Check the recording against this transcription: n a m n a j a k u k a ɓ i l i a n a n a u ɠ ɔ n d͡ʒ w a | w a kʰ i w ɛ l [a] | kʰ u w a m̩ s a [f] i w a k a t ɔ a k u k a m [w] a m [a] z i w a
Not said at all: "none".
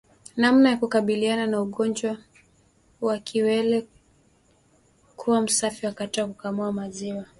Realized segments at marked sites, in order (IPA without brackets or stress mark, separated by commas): ɛ, f, u, a